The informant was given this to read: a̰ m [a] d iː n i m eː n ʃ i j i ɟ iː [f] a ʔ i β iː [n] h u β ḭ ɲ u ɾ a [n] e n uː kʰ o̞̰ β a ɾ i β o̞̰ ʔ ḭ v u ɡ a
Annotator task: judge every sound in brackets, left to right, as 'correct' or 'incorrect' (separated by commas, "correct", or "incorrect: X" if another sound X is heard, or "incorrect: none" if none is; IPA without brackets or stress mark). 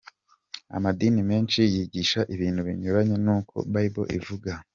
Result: correct, incorrect: ʃ, correct, incorrect: ɲ